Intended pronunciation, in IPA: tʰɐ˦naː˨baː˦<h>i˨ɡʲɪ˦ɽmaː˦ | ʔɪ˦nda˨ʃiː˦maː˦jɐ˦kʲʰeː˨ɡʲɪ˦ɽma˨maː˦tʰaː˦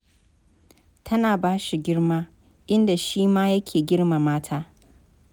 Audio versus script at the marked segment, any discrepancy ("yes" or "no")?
yes